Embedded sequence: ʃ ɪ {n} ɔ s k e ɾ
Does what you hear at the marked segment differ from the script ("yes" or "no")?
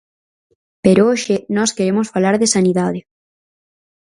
no